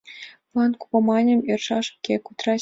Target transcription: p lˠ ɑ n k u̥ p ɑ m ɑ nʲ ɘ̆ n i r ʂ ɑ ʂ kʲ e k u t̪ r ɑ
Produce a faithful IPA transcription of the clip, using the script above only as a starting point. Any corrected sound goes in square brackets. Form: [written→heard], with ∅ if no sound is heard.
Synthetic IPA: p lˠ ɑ n k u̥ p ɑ m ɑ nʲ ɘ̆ [n→m] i r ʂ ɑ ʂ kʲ e k u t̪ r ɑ